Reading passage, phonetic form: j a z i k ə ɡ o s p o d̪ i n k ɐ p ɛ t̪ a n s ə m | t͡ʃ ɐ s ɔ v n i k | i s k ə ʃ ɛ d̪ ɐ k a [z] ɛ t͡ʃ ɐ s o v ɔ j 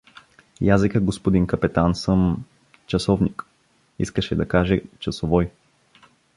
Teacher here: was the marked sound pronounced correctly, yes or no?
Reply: no